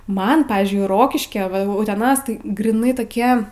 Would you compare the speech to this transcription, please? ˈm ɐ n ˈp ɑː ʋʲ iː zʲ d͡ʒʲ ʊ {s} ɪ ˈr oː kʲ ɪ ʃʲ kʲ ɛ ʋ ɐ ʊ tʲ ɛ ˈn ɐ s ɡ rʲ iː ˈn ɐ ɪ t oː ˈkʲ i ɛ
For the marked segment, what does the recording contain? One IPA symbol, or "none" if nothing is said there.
none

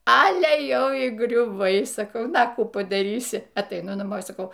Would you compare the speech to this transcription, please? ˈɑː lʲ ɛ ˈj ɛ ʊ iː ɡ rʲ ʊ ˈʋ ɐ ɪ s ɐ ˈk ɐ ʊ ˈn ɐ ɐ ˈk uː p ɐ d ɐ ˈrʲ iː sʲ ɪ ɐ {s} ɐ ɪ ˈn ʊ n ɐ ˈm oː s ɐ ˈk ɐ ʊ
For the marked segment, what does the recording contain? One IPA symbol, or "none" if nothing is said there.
t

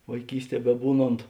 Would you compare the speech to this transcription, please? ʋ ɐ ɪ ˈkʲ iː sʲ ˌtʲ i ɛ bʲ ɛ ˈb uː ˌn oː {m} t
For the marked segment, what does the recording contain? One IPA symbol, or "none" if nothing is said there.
n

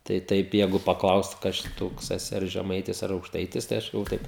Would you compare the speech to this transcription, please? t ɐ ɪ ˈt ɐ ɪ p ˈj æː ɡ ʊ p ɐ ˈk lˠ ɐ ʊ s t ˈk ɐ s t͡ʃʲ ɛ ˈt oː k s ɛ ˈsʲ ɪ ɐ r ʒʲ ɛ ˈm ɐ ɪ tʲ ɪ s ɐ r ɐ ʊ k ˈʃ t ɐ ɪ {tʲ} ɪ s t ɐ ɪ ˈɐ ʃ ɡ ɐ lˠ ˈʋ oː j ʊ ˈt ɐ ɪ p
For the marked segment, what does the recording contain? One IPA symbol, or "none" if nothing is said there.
tʲ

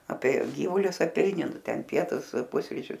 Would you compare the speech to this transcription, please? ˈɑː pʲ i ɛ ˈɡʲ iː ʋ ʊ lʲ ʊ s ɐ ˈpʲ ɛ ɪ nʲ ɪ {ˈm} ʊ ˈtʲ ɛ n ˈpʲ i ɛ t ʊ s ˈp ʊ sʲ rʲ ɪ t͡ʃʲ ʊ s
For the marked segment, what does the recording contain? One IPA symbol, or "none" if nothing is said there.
n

